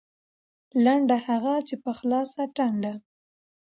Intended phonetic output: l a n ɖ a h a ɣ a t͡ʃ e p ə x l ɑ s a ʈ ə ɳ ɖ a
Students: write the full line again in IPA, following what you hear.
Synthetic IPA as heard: l a ɳ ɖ a h a ɣ a t͡ʃ e p ə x l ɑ s a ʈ a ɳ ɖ a